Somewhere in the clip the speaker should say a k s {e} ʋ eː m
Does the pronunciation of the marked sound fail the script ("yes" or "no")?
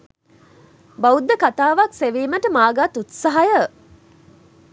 no